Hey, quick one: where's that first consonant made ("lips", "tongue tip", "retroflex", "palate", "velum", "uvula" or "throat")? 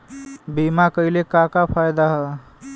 lips